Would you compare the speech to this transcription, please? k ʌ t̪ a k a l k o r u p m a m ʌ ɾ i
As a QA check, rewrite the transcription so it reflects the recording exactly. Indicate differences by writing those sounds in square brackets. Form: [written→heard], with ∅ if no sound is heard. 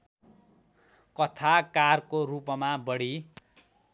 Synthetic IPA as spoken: k ʌ [t̪→t̪ʰ] a k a [l→r] k o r u p m a [m→b] ʌ [ɾ→ɽ] i